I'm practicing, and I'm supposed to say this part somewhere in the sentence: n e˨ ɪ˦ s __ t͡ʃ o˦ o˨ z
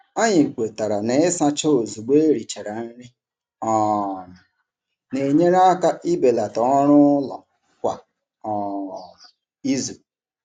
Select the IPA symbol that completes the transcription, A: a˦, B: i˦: A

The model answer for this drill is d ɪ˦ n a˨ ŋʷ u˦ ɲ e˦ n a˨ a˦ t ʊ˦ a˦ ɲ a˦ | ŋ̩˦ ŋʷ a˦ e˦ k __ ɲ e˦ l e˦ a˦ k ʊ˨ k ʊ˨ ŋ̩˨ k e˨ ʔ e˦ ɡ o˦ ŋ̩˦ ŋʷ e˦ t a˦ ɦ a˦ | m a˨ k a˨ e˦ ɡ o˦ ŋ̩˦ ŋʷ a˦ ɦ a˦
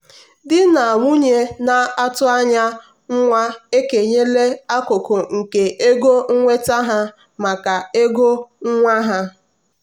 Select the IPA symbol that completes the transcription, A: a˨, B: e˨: B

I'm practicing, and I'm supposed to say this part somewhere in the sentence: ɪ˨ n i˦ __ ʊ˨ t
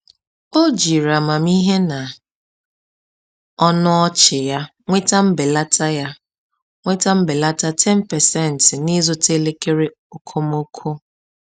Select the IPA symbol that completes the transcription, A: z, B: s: A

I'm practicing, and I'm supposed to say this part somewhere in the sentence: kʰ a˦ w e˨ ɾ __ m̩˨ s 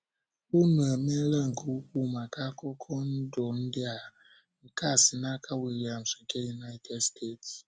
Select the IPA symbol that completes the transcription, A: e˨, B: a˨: B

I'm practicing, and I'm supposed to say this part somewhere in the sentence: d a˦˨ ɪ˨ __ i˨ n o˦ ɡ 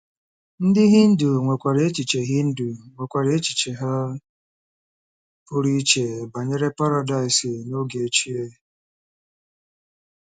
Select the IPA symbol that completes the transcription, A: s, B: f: A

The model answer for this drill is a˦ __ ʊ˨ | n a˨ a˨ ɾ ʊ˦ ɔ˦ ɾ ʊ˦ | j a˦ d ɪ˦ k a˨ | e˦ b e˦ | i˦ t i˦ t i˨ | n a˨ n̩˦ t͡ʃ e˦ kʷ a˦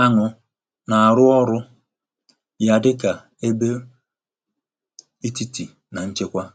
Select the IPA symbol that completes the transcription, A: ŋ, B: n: A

